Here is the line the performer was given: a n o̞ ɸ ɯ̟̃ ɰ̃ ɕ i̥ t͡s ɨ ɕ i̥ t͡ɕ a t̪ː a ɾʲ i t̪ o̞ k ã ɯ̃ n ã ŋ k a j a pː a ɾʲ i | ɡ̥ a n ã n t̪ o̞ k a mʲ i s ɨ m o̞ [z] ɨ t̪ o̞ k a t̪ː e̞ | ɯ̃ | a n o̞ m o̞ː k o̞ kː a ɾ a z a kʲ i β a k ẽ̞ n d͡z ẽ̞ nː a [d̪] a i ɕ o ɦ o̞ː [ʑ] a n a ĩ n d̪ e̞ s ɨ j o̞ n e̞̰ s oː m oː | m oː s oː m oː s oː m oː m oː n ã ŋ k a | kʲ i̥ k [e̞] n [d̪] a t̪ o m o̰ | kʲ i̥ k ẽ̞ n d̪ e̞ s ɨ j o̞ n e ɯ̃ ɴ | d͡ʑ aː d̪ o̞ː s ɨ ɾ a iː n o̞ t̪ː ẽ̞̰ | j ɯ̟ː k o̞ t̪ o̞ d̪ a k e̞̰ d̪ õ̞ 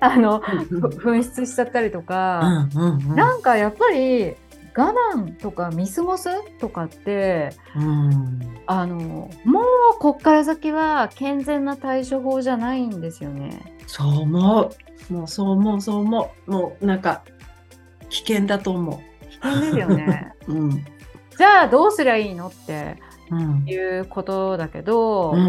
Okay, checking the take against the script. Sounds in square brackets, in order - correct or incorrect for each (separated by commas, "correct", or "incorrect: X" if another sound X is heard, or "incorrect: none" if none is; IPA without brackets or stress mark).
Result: incorrect: s, incorrect: t̪, correct, incorrect: ẽ̞, correct